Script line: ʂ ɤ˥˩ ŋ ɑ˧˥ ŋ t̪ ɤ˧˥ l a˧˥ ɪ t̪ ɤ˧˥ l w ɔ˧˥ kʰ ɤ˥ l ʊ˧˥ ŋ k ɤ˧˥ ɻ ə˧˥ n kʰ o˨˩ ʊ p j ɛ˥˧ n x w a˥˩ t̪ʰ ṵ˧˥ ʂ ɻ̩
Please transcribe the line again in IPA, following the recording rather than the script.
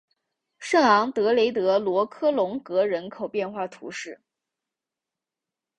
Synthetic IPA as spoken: ʂ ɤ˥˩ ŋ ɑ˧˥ ŋ t̪ ɤ˧˥ l e˧˥ ɪ t̪ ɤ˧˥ l w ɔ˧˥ kʰ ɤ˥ l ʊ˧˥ ŋ k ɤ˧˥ ɻ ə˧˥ n kʰ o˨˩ ʊ p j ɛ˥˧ n x w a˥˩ t̪ʰ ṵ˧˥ ʂ ɻ̩